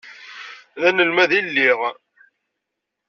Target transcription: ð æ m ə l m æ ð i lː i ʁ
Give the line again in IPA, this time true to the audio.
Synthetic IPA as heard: ð æ n ə l m æ ð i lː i ʁ